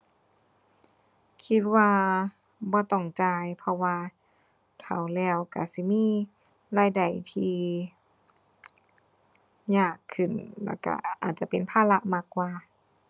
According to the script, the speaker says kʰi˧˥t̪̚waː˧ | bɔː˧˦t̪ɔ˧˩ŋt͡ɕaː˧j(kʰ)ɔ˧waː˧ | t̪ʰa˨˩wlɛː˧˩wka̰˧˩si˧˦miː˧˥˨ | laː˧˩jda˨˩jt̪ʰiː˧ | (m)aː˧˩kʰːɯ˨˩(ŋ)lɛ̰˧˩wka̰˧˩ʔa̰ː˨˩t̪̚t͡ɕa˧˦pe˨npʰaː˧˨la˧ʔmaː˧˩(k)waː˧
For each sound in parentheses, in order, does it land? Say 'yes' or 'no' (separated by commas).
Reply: no, no, no, yes